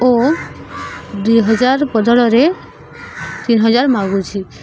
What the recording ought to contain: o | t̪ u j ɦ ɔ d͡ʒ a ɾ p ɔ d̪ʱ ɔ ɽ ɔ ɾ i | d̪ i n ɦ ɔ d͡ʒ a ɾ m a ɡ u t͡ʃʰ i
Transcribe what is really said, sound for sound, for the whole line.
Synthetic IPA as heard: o | d̪ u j ɦ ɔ d͡ʒ a ɾ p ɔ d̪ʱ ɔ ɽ ɔ ɾ e | t̪ i n ɦ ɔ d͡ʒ a ɾ m a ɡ u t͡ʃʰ i